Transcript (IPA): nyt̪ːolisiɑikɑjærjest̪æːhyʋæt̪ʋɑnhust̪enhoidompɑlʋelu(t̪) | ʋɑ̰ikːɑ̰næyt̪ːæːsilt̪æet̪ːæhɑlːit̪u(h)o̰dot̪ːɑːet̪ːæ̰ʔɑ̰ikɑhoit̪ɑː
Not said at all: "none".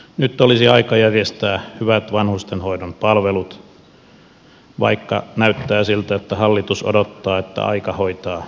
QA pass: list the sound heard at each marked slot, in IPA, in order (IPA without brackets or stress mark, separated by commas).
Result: t̪, s